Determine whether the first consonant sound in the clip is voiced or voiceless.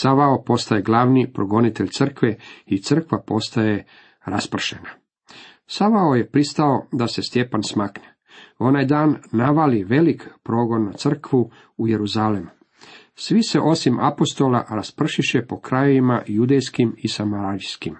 voiceless